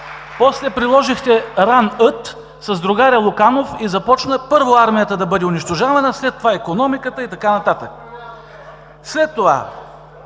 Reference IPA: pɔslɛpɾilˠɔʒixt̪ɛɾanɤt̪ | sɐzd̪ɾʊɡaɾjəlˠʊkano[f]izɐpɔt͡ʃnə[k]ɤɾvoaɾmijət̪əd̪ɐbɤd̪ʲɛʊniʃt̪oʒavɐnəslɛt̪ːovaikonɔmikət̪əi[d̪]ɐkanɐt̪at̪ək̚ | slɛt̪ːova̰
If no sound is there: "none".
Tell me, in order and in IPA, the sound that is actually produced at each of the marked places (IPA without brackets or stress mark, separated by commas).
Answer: f, p, t̪